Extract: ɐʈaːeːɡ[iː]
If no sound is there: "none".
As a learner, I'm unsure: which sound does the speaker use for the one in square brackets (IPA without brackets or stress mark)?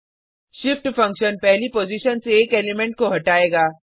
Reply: aː